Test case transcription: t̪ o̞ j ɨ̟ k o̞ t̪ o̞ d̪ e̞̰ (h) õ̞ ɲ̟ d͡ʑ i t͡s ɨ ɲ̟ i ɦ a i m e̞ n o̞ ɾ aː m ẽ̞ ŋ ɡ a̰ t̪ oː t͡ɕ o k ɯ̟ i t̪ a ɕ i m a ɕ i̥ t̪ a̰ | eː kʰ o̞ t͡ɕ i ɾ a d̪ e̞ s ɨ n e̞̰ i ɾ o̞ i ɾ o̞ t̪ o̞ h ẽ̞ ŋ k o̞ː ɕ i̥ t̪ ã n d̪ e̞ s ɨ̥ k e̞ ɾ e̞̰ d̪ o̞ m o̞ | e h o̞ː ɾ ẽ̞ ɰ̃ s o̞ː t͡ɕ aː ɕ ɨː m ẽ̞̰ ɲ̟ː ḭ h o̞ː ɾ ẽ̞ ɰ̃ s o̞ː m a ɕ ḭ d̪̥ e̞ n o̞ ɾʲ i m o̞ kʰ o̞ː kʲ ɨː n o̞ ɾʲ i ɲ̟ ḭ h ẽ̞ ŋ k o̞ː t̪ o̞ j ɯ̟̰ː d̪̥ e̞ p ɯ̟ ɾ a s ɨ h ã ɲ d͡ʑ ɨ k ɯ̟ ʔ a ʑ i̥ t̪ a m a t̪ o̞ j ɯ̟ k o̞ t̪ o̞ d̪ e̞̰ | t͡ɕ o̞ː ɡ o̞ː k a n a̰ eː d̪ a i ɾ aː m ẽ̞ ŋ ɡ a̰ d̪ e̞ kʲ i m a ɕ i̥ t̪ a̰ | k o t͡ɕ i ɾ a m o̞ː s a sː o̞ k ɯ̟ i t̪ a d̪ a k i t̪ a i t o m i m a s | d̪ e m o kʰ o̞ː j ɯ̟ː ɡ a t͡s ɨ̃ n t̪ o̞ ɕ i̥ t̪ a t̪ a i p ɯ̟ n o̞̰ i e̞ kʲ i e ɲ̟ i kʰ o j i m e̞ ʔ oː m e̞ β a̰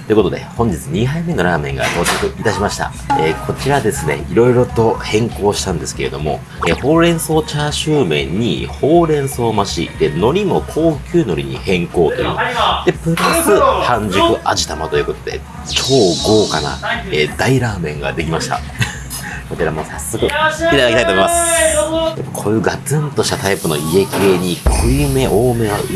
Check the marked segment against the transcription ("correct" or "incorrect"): correct